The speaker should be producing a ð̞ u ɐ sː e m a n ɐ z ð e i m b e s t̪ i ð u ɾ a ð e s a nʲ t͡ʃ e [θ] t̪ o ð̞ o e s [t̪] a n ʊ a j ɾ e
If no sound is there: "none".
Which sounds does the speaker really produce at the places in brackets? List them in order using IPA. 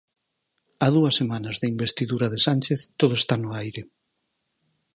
θ, t̪

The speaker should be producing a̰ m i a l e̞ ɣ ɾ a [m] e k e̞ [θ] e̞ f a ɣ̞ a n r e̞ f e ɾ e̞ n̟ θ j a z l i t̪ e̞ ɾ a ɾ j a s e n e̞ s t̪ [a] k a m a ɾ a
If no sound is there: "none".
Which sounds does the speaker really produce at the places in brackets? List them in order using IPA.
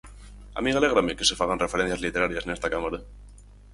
m, s, a

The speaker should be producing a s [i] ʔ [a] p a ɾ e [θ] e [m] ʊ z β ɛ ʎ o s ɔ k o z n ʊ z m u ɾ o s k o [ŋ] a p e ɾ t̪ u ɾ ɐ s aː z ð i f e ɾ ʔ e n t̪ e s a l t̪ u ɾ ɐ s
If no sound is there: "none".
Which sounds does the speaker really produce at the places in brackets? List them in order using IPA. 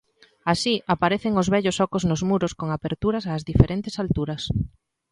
i, a, θ, ŋ, ŋ

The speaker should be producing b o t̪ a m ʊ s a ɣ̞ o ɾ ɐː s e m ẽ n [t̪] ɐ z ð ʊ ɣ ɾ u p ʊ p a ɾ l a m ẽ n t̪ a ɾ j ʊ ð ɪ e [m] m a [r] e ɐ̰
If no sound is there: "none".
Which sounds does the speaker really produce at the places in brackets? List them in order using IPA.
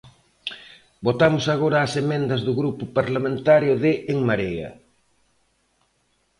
d̪, ŋ, ɾ

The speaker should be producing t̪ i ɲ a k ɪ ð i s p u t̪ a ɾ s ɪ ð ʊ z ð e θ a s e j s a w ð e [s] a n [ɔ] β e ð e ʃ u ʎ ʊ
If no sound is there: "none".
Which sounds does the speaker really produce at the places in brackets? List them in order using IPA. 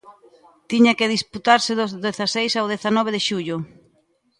θ, ɔ

